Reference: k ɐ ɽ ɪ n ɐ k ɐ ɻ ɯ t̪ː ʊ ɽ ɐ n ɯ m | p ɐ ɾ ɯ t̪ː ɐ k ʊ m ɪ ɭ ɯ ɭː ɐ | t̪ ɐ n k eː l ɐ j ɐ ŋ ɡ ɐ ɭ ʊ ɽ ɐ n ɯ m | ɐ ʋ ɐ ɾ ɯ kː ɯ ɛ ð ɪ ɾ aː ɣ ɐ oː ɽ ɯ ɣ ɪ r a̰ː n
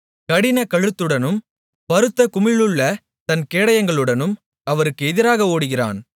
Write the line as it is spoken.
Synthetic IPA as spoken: k ɐ ɽ ɪ n ɐ k ɐ ɻ ɯ t̪ː ɯ ɽ ɐ n ɯ m | p ɐ ɾ ɯ t̪ː ɐ k ʊ m ɪ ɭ ɯ ɭː ɐ | t̪ ɐ n k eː ɽ ɐ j ɐ ŋ ɡ ɐ ɭ ɯ ɽ ɐ n ɯ m | ɐ ʋ ɐ ɾ ɯ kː ɯ ɛ ð ɪ ɾ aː ɣ ɐ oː ɽ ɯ ɣ ɪ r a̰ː n

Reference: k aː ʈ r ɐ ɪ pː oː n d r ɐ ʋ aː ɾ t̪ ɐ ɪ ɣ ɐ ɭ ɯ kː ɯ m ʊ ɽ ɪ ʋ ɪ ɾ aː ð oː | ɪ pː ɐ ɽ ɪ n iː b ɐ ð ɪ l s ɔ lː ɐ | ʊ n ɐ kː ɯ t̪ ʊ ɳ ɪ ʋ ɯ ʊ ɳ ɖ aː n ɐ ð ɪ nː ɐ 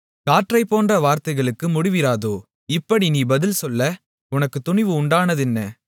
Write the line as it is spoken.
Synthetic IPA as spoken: k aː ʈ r ɐ ɪ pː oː n d r ɐ ʋ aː ɾ t̪ ɐ ɪ ɣ ɐ ɭ ɯ kː ɯ m ʊ ɽ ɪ ʋ ɪ ɾ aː ð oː | ɪ pː ɐ ɽ i n iː b ɐ ð ɪ l s ɔ lː ɐ | ʊ n ɐ kː ɯ t̪ ʊ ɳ ɪ ʋ ɯ ʊ ɳ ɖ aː n ɐ ð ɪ nː ɐ

